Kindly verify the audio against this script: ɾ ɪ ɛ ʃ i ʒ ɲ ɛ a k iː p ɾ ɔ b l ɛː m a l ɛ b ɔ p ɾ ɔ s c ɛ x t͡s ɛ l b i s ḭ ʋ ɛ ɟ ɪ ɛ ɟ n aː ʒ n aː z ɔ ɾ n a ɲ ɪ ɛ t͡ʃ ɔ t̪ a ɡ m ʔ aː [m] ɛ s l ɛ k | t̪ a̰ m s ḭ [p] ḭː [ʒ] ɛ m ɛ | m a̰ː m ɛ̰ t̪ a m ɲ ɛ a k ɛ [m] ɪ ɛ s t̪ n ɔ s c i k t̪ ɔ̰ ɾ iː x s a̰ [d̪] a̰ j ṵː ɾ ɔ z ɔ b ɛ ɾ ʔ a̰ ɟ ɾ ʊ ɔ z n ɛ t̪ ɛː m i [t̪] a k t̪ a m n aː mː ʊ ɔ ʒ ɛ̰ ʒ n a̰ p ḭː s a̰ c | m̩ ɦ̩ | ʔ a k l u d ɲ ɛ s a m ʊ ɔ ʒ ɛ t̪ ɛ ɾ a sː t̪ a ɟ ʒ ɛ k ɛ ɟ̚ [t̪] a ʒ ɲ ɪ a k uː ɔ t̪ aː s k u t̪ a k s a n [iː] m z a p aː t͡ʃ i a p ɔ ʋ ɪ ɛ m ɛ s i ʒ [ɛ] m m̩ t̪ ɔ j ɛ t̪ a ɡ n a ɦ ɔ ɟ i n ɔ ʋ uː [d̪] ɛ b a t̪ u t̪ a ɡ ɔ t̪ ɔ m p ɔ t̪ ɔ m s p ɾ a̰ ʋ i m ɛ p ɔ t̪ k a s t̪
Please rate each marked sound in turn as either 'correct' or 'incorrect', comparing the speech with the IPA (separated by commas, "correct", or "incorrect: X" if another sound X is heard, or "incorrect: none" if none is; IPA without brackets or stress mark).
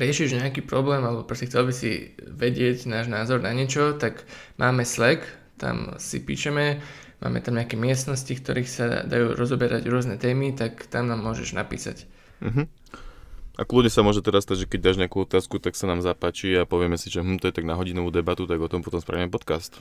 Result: correct, correct, incorrect: ʃ, correct, correct, correct, incorrect: d̪, incorrect: aː, correct, correct